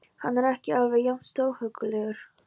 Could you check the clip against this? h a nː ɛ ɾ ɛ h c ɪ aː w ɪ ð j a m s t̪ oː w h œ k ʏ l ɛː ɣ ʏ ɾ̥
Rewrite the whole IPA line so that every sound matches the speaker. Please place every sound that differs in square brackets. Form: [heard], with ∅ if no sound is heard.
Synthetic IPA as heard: h a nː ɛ ɾ ɛ h c ɪ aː [v] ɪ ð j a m s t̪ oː w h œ k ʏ l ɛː ɣ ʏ ɾ̥